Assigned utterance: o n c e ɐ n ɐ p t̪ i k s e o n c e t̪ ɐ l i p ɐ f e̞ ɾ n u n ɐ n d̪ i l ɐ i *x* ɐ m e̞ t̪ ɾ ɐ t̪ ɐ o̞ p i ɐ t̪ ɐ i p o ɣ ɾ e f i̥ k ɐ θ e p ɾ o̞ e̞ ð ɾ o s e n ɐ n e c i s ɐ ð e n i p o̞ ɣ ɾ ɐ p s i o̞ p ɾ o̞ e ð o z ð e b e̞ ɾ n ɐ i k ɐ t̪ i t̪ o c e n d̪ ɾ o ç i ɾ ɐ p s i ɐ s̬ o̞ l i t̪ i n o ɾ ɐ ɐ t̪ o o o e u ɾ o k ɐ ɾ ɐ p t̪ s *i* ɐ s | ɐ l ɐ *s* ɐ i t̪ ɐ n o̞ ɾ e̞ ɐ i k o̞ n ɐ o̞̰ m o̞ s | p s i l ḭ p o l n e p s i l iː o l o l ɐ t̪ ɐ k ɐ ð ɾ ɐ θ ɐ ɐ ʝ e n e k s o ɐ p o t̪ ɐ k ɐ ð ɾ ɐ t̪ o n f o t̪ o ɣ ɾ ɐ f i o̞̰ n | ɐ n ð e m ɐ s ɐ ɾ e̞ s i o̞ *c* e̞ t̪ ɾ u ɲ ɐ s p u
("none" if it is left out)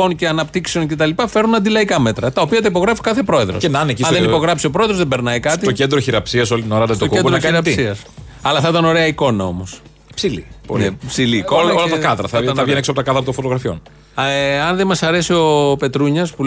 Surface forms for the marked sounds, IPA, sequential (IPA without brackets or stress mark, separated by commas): k, i, θ, p